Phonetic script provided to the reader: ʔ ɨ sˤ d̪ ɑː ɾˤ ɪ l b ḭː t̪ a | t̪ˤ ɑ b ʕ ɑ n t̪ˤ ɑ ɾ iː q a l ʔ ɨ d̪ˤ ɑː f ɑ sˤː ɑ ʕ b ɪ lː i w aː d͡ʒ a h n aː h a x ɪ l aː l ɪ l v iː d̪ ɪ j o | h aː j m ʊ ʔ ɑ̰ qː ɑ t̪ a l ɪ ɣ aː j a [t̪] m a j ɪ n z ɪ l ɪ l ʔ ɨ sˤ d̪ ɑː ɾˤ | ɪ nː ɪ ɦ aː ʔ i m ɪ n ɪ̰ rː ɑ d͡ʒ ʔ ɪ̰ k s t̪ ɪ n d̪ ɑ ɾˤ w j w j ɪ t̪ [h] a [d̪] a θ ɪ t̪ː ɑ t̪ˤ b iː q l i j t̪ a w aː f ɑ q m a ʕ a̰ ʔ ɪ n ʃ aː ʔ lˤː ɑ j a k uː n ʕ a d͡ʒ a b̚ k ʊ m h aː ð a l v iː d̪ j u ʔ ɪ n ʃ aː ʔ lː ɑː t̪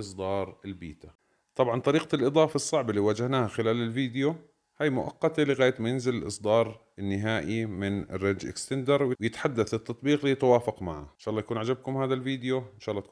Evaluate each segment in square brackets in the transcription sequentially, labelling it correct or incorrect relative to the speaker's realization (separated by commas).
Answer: correct, incorrect, incorrect